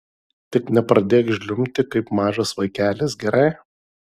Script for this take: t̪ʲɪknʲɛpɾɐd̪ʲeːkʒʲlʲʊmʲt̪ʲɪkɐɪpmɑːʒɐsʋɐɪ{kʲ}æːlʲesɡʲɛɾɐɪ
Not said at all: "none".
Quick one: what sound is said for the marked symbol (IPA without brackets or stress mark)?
kʲ